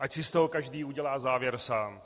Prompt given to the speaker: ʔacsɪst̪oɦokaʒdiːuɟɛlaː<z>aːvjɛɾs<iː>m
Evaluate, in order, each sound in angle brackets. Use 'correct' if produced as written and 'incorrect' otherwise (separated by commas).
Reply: correct, incorrect